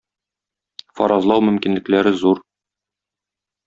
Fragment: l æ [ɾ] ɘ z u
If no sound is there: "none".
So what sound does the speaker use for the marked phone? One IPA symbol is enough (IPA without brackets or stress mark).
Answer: ɾ